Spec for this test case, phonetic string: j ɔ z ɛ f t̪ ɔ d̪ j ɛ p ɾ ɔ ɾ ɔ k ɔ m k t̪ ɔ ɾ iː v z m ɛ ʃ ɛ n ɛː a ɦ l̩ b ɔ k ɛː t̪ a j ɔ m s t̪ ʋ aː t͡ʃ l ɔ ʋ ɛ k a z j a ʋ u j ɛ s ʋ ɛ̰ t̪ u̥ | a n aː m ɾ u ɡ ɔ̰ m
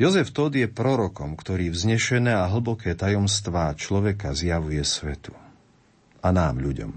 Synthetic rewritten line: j ɔ z ɛ f t̪ ɔ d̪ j ɛ p ɾ ɔ ɾ ɔ k ɔ m k t̪ ɔ ɾ iː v z ɲ ɛ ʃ ɛ n ɛː a ɦ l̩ b ɔ k ɛː t̪ a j ɔ m s t̪ ʋ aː t͡ʃ l ɔ ʋ ɛ k a z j a ʋ u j ɛ s ʋ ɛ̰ t̪ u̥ | a n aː m ʎ u ɟ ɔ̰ m